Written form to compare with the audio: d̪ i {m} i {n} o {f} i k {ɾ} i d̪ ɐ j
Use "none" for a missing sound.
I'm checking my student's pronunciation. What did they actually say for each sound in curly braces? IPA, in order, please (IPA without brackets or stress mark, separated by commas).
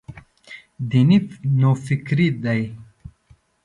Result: n, n, f, ɾ